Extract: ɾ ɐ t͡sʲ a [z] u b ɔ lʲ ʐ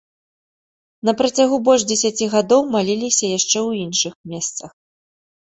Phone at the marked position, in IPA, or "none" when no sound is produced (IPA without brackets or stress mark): ɣ